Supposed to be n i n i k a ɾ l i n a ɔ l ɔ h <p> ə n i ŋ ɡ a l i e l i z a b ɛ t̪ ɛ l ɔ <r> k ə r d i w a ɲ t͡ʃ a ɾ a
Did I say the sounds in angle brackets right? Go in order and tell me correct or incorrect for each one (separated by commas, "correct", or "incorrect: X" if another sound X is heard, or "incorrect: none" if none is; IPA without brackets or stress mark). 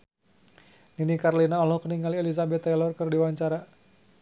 incorrect: k, correct